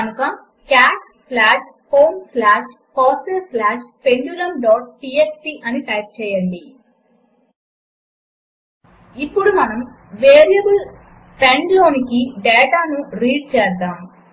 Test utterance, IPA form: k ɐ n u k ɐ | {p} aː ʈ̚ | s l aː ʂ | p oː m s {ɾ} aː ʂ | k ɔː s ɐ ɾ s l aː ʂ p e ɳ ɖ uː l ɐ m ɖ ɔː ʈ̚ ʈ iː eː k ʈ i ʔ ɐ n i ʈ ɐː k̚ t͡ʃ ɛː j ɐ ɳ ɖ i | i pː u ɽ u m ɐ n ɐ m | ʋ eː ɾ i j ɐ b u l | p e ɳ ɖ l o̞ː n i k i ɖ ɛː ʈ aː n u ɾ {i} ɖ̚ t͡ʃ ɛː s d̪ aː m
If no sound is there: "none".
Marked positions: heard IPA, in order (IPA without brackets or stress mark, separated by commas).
k, l, iː